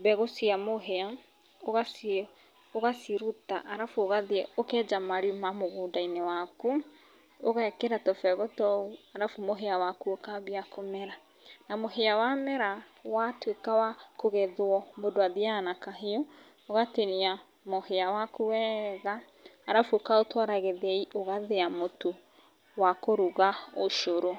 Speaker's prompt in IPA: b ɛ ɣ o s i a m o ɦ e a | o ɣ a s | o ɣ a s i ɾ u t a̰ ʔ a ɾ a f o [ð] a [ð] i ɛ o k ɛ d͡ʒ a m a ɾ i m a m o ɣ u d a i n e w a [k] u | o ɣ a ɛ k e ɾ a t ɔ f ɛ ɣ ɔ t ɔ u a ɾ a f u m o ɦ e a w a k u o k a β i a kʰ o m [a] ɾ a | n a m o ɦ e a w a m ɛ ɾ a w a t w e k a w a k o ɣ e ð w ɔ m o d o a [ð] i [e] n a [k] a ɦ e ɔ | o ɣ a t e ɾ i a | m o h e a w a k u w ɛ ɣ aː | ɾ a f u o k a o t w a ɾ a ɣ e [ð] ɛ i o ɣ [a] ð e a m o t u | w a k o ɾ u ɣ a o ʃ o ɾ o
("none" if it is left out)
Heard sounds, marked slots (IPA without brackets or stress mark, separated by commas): ɣ, ð, k, ɛ, ð, a, k, ð, a